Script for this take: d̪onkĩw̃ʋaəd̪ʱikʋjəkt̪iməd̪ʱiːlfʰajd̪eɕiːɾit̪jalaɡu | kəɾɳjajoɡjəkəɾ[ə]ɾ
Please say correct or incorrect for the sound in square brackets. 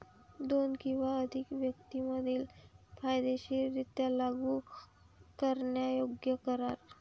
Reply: incorrect